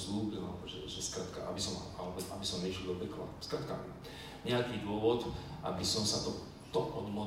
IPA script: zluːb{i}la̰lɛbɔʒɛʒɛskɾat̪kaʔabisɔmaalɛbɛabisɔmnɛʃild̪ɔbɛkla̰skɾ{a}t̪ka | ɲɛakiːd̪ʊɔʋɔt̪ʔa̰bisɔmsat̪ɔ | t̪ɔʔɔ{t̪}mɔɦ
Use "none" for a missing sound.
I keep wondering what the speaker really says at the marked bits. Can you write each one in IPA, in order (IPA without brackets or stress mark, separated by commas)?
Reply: i, a, d̪